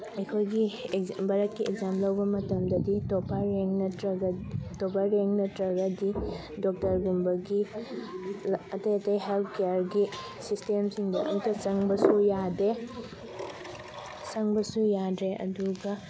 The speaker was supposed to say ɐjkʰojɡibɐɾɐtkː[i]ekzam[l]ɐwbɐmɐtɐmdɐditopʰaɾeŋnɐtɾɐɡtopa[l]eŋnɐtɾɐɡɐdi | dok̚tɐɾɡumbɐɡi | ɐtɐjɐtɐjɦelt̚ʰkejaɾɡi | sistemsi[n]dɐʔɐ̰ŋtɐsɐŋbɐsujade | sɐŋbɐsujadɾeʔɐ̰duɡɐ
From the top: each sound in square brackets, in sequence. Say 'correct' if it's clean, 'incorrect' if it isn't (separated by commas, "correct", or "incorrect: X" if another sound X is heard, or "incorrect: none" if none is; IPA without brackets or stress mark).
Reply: correct, correct, incorrect: ɾ, incorrect: ŋ